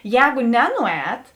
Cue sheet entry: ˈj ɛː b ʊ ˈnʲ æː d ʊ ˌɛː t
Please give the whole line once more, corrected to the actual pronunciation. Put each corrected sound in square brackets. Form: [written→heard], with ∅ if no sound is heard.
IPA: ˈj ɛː [b→ɡ] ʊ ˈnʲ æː [d→n] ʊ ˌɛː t